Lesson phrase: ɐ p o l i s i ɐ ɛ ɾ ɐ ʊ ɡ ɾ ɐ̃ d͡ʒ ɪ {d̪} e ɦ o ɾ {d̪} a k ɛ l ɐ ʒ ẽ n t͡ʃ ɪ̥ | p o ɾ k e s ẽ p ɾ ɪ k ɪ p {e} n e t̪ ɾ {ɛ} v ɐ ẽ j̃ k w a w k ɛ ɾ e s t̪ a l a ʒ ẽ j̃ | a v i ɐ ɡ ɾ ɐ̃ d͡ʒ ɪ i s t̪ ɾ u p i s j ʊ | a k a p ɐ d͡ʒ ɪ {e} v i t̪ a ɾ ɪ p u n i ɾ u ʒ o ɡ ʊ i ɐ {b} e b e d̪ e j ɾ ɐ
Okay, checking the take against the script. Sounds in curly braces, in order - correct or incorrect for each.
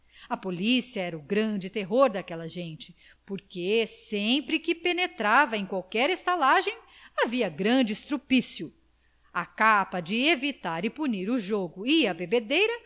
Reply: incorrect: t̪, correct, correct, incorrect: a, correct, correct

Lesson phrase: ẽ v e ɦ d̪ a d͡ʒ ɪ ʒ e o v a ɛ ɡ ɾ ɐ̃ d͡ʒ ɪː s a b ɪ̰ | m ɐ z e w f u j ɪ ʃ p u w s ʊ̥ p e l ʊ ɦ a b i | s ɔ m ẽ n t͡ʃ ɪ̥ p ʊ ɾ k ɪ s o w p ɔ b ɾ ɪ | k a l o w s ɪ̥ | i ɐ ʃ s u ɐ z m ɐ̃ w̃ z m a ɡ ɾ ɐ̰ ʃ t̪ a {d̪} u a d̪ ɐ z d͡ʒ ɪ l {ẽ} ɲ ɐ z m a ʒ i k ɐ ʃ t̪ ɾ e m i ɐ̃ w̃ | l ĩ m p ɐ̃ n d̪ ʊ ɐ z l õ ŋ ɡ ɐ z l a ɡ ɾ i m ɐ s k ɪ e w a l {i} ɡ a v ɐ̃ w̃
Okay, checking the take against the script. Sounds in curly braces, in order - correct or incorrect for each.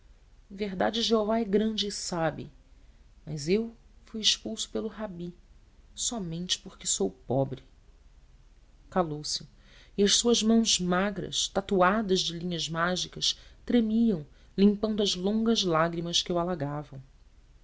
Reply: incorrect: t̪, incorrect: ĩ, incorrect: a

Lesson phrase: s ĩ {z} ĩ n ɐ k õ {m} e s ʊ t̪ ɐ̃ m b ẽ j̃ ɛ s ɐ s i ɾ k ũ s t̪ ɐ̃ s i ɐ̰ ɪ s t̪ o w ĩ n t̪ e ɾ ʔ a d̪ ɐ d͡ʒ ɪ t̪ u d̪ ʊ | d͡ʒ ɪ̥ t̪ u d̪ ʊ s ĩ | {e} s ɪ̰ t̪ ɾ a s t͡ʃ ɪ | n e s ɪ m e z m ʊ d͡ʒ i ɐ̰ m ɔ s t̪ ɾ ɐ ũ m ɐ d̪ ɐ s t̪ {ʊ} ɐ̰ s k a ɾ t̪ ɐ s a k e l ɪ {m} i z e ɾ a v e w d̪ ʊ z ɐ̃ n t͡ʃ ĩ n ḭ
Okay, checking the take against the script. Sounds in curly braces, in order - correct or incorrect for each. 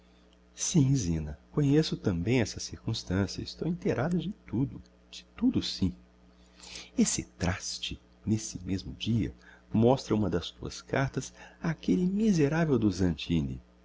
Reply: correct, incorrect: ɲ, correct, incorrect: u, correct

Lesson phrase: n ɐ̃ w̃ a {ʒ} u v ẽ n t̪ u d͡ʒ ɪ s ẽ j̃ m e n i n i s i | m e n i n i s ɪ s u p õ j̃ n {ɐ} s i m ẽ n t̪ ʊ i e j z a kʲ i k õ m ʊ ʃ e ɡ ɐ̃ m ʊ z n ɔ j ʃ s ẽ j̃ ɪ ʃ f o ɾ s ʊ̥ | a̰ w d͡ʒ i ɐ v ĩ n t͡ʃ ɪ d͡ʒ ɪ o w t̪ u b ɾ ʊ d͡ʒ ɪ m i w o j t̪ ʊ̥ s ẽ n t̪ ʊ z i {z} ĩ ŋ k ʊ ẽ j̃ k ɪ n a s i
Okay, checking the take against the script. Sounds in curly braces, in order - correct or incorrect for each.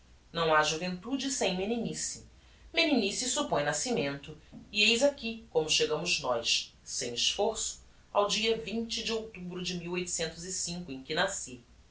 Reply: correct, incorrect: a, incorrect: s

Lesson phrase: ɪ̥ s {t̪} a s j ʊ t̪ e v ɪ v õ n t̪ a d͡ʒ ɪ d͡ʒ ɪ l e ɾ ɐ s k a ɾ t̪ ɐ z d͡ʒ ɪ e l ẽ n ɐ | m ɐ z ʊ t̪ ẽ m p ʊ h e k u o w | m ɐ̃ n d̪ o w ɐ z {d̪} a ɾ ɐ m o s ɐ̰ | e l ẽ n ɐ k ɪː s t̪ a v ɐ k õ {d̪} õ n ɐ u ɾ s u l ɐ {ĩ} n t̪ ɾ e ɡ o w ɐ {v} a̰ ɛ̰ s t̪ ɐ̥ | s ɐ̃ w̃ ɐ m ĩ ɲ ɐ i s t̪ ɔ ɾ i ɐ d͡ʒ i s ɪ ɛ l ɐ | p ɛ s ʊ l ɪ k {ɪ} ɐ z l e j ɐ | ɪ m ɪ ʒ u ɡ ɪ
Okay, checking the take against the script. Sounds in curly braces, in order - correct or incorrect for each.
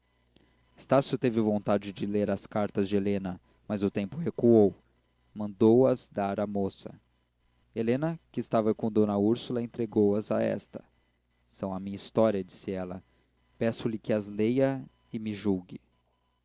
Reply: correct, correct, correct, incorrect: ẽ, incorrect: z, correct

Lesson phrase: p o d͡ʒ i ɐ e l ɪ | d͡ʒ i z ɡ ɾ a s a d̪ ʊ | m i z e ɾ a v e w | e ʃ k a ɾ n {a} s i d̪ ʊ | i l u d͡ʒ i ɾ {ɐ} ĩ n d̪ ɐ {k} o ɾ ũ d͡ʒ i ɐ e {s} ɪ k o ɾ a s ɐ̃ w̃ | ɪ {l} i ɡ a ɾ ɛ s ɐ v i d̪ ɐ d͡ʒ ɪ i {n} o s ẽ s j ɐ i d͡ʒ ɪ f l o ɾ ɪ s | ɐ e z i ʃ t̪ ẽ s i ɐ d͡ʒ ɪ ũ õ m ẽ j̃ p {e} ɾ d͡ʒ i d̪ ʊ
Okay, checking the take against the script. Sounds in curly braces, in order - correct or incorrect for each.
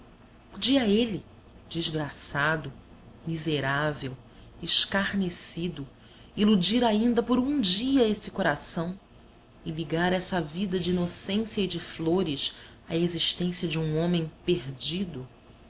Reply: incorrect: e, incorrect: a, incorrect: p, correct, correct, correct, correct

